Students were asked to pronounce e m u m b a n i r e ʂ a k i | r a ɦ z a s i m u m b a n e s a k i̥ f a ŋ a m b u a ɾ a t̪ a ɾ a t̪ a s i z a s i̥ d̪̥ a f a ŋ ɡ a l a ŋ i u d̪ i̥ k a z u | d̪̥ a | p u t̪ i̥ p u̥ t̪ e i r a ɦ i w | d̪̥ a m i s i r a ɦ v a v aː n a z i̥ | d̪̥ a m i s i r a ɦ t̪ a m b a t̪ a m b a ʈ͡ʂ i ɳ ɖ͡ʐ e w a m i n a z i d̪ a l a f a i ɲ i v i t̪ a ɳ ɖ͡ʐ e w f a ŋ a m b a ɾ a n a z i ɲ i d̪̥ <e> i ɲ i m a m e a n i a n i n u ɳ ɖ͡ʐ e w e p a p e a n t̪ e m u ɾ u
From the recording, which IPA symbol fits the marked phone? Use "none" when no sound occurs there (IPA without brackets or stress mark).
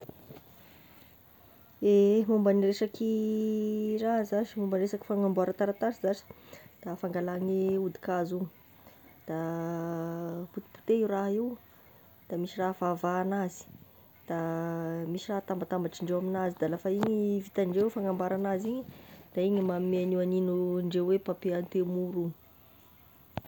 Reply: a